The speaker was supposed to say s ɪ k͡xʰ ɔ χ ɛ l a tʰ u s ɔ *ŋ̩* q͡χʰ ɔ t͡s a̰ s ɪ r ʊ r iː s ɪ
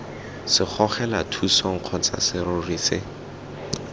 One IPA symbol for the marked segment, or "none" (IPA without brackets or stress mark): ŋ̩